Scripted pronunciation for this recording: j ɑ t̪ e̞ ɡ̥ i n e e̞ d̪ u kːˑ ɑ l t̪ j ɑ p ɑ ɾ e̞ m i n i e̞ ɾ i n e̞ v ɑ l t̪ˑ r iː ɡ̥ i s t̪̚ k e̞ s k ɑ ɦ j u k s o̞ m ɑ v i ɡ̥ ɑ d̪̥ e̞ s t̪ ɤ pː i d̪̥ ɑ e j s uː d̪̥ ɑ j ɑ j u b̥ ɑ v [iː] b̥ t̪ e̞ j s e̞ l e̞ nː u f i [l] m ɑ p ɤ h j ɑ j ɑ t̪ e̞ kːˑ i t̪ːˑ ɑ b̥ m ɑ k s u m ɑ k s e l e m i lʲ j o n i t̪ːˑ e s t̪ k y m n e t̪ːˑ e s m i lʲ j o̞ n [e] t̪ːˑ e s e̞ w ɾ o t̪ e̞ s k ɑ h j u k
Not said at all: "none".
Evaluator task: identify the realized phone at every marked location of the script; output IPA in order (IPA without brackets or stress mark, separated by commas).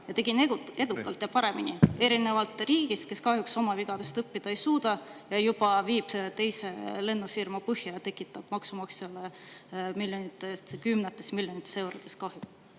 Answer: iː, r, i